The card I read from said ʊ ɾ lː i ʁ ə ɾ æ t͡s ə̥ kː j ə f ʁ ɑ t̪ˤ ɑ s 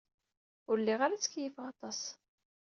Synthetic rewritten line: ʊ ɾ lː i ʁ a ɾ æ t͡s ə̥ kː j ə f ʁ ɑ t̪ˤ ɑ s